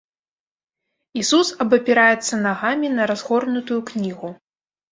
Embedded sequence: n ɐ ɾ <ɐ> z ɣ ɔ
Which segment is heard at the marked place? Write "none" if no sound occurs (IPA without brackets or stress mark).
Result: a